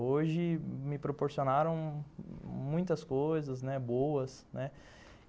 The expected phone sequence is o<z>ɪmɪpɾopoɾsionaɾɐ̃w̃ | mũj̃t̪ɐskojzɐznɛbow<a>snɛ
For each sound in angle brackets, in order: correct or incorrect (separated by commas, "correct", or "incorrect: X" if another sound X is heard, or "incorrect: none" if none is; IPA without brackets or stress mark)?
incorrect: ʒ, incorrect: ɐ